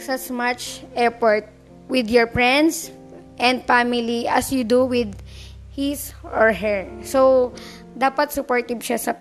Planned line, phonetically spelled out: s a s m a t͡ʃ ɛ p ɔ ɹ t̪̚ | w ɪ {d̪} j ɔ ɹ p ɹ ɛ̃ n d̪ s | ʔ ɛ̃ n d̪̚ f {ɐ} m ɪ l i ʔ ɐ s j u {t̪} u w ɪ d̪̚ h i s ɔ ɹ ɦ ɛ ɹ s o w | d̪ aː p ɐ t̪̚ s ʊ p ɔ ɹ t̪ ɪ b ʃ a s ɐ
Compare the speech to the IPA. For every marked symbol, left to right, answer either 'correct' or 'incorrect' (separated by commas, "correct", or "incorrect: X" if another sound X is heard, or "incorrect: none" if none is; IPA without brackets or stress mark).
correct, incorrect: a, incorrect: d̪